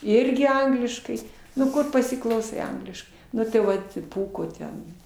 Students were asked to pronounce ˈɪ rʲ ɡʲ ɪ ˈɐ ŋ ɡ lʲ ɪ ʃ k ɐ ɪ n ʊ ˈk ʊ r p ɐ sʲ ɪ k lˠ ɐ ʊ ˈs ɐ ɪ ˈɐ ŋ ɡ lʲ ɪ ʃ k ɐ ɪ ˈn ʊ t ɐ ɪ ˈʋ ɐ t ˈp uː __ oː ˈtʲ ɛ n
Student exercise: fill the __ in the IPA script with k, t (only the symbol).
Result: k